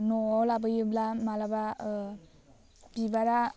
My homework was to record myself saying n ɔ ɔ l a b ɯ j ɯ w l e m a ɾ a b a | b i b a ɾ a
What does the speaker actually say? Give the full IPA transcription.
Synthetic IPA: n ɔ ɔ l a b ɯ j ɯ b l a m a l a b a | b i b a ɾ a

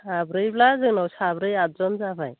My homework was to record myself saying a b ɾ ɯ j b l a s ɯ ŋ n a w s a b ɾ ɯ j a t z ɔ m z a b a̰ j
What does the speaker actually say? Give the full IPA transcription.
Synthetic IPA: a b ɾ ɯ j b l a z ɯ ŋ n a w s a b ɾ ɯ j a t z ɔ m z a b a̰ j

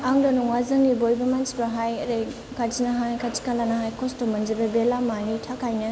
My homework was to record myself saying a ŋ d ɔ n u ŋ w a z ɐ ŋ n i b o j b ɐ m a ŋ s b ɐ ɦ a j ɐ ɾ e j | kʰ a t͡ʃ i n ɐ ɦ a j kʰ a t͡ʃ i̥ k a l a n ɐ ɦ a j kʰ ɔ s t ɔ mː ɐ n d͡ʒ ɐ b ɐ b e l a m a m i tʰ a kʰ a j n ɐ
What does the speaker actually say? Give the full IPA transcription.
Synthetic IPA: a ŋ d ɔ n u ŋ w a z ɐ ŋ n i b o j b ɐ m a n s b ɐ ɦ a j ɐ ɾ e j | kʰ a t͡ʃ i n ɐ ɦ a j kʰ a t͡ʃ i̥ k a l a n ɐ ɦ a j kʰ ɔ s t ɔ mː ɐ n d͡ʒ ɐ b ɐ b e l a m a n i tʰ a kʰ a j n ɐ

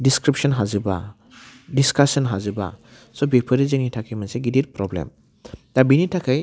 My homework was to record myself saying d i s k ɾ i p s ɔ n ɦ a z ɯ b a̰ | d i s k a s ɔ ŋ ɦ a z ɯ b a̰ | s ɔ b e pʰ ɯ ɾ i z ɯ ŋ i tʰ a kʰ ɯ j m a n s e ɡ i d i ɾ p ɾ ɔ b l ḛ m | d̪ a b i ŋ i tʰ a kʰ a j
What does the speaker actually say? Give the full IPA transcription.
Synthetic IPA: d i s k ɾ i p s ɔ n ɦ a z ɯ b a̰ | d i s k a s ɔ n ɦ a z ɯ b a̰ | s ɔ b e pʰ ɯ ɾ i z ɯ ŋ i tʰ a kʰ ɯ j m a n s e ɡ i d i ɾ p ɾ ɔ b l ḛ m | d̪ a b i n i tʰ a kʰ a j

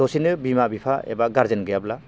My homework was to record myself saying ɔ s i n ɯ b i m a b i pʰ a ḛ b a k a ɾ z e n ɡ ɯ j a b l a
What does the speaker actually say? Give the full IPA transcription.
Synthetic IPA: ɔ s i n ɯ b i m a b i pʰ a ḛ b a ɡ a ɾ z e n ɡ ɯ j a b l a

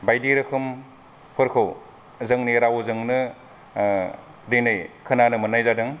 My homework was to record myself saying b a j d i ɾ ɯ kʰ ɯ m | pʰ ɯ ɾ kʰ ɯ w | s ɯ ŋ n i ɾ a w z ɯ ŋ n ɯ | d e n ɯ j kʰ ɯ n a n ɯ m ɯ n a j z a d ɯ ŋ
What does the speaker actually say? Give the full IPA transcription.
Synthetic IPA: b a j d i ɾ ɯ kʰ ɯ m | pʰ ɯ ɾ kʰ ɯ w | z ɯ ŋ n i ɾ a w z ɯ ŋ n ɯ | d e n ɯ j kʰ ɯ n a n ɯ m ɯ n a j z a d ɯ ŋ

